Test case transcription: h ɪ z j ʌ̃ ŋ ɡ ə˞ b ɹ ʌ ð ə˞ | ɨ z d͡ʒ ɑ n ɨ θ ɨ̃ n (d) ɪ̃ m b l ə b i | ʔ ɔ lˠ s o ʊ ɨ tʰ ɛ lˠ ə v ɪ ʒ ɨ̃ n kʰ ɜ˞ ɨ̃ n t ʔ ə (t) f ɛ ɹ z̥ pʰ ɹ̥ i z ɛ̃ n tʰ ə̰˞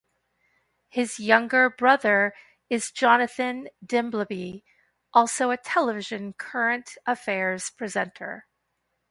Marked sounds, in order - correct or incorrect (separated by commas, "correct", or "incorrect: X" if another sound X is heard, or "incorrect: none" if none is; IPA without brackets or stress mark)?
correct, incorrect: none